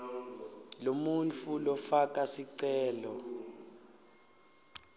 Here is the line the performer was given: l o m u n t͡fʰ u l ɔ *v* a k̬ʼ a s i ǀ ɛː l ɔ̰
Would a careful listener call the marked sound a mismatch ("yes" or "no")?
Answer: yes